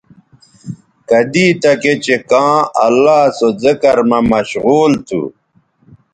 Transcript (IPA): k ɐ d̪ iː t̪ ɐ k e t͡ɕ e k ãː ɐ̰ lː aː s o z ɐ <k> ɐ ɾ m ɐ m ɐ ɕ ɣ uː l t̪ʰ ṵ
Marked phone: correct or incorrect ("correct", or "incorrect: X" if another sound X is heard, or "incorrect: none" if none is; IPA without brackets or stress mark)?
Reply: correct